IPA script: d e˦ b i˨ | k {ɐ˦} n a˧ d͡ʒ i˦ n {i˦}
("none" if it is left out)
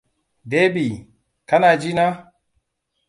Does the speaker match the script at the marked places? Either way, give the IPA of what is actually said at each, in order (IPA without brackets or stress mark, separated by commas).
a˦, a˦